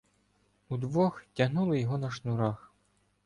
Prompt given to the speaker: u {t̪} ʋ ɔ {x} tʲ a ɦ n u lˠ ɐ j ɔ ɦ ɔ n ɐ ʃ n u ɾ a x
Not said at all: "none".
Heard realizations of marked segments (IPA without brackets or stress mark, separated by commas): d̪, x